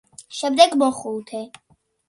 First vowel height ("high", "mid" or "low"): mid